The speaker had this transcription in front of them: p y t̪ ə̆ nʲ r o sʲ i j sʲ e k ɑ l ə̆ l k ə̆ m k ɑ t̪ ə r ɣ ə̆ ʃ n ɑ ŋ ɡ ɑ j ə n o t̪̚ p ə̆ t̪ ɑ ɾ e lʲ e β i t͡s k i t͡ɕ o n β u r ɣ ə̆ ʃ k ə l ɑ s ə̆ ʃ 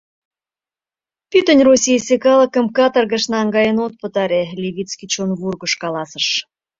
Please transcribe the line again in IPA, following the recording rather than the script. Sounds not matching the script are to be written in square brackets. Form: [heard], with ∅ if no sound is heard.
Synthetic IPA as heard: p y t̪ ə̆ nʲ r o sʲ i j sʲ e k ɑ l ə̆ [∅] k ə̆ m k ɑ t̪ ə r ɣ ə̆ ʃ n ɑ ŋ ɡ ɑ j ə n o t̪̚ p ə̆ t̪ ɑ ɾ e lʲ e β i t͡s k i t͡ɕ o n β u r ɣ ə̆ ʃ k [ɑ] l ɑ s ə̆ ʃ